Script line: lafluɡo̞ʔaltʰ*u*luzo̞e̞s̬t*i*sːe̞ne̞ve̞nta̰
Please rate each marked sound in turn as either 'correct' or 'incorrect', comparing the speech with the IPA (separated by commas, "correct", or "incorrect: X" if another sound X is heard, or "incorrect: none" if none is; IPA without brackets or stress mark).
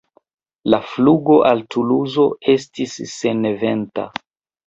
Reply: correct, correct